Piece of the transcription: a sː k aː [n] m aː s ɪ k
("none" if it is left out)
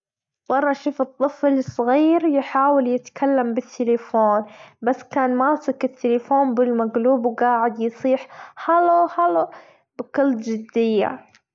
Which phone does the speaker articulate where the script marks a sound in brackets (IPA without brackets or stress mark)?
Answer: n